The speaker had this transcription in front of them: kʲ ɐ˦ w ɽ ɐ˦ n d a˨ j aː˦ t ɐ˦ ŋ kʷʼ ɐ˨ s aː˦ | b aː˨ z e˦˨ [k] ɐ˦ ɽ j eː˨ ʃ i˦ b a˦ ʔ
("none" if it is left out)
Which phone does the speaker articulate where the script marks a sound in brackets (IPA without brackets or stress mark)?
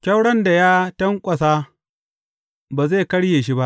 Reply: k